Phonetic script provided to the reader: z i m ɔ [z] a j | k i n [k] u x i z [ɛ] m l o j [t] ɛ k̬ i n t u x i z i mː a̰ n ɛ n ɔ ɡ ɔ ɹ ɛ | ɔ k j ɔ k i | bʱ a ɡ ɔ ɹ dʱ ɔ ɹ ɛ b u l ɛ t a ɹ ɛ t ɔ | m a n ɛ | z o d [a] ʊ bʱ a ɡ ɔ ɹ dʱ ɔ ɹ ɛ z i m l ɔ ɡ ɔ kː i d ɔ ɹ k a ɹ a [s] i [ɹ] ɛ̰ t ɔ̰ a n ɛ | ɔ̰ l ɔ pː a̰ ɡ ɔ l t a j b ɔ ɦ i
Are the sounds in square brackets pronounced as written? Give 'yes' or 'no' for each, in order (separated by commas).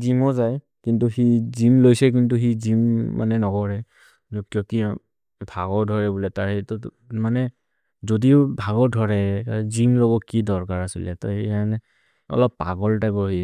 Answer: yes, no, no, no, no, yes, no